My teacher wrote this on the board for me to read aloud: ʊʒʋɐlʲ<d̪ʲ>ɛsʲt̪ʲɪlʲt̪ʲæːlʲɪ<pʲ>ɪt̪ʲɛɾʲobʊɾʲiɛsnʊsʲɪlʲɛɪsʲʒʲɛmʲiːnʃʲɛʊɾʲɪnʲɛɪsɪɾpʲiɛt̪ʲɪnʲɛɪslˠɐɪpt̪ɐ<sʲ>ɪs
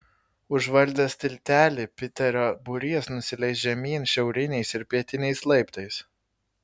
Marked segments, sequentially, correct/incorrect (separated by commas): correct, correct, incorrect